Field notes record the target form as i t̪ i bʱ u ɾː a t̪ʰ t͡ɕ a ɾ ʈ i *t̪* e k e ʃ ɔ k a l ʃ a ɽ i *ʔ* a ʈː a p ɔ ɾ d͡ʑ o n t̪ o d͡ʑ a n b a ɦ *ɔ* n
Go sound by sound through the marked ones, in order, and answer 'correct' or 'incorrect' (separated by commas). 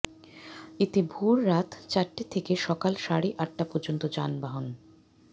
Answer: incorrect, correct, incorrect